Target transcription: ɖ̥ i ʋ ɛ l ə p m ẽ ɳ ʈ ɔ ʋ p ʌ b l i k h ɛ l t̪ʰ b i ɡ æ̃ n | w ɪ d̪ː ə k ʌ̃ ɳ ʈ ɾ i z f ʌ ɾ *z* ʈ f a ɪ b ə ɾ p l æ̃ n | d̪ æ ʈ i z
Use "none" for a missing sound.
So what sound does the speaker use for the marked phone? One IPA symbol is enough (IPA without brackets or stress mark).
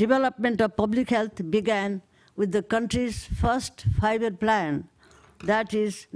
s